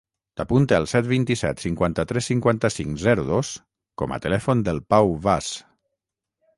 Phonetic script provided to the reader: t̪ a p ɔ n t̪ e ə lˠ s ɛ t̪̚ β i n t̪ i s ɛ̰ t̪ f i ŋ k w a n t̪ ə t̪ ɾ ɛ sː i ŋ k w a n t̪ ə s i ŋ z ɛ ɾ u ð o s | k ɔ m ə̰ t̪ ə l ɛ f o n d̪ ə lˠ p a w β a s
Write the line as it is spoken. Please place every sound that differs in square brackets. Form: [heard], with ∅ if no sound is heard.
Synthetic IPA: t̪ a p [u] n t̪ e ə lˠ s ɛ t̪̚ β i n t̪ i s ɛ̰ t̪ [s] i ŋ k w a n t̪ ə t̪ ɾ ɛ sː i ŋ k w a n t̪ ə s i ŋ z ɛ ɾ u ð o s | k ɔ m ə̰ t̪ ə l ɛ f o n d̪ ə lˠ p a w β a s

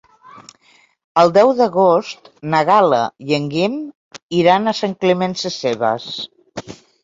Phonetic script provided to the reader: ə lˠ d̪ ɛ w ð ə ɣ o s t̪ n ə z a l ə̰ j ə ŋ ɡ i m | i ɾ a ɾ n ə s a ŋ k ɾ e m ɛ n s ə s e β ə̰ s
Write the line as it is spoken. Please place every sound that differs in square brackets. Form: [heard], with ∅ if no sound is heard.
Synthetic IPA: ə lˠ d̪ ɛ w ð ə ɣ o s t̪ n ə [ɣ] a l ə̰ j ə ŋ ɡ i m | i ɾ a [∅] n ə s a ŋ k [l] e m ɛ n s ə s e β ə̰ s

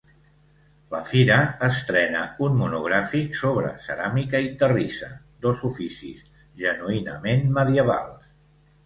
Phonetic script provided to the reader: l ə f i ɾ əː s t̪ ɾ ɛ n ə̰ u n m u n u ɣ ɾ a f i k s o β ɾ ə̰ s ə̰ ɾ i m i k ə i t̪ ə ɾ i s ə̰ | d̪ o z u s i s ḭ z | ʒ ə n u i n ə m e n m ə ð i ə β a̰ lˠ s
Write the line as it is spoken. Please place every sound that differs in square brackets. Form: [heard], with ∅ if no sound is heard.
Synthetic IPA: l ə f i ɾ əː s t̪ ɾ ɛ n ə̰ u n m u n u ɣ ɾ a f i k s o β ɾ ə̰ s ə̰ ɾ [a] m i k ə i t̪ ə [r] i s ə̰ | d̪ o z u [f] i s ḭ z | ʒ ə n u i n ə m e n m ə ð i ə β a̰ lˠ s

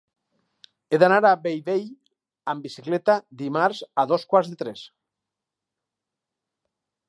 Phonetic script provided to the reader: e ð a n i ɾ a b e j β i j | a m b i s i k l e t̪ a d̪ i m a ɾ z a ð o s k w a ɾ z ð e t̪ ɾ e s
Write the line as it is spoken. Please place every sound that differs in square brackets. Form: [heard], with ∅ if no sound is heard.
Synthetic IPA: e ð a n [a] ɾ a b e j β [e] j | a m b i s i k l e t̪ a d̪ i m a ɾ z a ð o s k w a ɾ z ð e t̪ ɾ e s

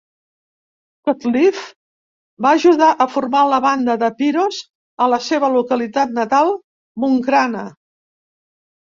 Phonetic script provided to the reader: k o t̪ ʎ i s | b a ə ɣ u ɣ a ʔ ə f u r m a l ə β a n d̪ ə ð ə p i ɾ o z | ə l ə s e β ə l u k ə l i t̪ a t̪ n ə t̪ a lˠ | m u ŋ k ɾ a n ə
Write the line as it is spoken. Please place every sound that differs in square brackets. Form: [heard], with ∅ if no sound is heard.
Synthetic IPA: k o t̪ [l] i [f] | b a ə [ʒ] u [ð] a ʔ ə f u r m a l ə β a n d̪ ə ð ə p i ɾ o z | ə l ə s e β ə l u k ə l i t̪ a t̪ n ə t̪ a lˠ | m u ŋ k ɾ a n ə

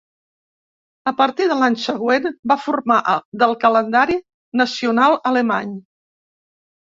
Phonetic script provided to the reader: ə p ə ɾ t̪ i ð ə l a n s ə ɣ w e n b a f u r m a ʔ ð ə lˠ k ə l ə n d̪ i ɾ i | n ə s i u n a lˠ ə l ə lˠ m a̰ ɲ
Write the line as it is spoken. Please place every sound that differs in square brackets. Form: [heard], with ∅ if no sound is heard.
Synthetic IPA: ə p ə ɾ t̪ i ð ə l a [ɲ] s ə ɣ w e n b a f u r m a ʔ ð ə lˠ k ə l ə n d̪ [a] ɾ i | n ə s i u n a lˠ ə l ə [∅] m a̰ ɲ

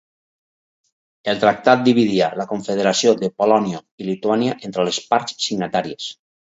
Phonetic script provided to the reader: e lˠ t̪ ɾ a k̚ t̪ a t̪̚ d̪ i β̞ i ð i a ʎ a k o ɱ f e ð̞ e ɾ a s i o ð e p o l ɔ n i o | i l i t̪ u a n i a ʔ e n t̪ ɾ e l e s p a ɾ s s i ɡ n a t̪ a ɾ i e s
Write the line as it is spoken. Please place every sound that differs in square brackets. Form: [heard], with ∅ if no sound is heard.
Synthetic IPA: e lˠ t̪ ɾ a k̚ t̪ a t̪̚ d̪ i β̞ i ð i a [l] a k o ɱ f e ð̞ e ɾ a s i o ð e p o l ɔ n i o | i l i t̪ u a n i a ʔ e n t̪ ɾ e l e s p a ɾ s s i ɡ n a t̪ a ɾ i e s

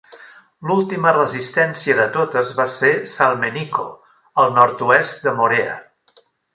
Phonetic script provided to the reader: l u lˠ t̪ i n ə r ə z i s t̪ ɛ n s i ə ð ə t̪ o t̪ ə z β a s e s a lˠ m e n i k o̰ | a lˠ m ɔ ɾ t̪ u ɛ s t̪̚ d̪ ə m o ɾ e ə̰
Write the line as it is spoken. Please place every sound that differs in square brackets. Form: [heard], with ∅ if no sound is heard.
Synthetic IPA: l u lˠ t̪ i [m] ə r ə z i s t̪ ɛ n s i ə ð ə t̪ o t̪ ə z β a s e s a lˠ m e n i k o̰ | [ə] lˠ [n] ɔ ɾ t̪ u ɛ s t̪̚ d̪ ə m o ɾ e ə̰

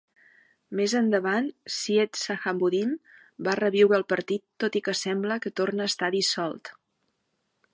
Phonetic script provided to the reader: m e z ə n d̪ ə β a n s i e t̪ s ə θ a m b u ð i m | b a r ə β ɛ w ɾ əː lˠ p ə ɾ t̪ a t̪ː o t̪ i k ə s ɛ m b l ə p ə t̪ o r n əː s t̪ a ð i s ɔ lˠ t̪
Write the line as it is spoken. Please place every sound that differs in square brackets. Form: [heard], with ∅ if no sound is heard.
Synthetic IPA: m e z ə n d̪ ə β a n s i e t̪ s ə [x] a m b u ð i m | b a r ə β [i] w ɾ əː lˠ p ə ɾ t̪ [i] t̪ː o t̪ i k ə s ɛ m b l ə [k] ə t̪ o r n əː s t̪ a ð i s ɔ lˠ t̪

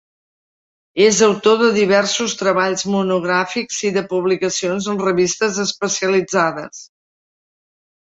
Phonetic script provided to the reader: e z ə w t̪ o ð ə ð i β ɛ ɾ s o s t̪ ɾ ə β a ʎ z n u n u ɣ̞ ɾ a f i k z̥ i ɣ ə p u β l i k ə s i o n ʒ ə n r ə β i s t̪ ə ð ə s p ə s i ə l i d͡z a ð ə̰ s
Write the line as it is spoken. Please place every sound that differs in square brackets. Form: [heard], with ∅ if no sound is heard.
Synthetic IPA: e z ə w t̪ o ð ə ð i β ɛ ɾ s [u] s t̪ ɾ ə β a ʎ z [m] u n u ɣ̞ ɾ a f i k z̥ i [ð] ə p u β l i k ə s i o n [z] ə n r ə β i s t̪ ə [z] ə s p ə s i ə l i d͡z a ð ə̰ s

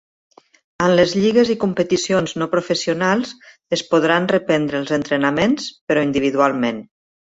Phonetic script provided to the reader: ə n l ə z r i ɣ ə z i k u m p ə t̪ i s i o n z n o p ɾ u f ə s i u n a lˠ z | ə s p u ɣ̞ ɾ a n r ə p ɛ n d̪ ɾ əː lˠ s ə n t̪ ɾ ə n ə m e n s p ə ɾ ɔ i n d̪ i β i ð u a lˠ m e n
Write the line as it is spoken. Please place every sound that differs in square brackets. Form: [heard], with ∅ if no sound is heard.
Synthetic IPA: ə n l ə z [ʎ] i ɣ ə z i k u m p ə t̪ i s i o n z n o p ɾ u f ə s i u n a lˠ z | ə s p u [ð̞] ɾ a n r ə p ɛ n d̪ ɾ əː lˠ [z] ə n t̪ ɾ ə n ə m e n s p ə ɾ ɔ i n d̪ i β i ð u a lˠ m e n

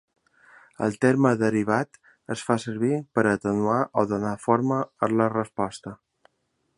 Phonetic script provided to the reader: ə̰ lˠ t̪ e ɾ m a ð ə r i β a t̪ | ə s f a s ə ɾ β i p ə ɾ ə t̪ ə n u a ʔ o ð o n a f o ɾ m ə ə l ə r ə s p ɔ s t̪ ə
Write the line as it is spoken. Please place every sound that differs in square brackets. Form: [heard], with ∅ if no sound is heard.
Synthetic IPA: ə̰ lˠ t̪ e ɾ m [ə] ð ə [ɾ] i β a t̪ | ə s f a s ə ɾ β i p ə ɾ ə t̪ ə n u a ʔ o ð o n a f o ɾ m ə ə l ə r ə s p ɔ s t̪ ə

